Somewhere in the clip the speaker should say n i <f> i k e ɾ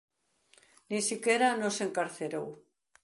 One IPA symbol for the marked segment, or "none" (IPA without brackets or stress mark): s